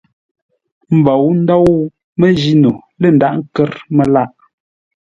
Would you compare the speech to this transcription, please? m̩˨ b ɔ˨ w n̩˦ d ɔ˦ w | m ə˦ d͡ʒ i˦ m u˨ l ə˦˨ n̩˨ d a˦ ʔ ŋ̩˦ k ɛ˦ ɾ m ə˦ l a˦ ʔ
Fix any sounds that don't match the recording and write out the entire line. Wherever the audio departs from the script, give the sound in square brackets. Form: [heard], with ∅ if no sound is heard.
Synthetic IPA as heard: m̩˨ b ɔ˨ w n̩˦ d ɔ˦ w | m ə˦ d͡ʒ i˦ [n] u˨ l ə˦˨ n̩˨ d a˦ ʔ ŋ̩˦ k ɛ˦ ɾ m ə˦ l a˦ ʔ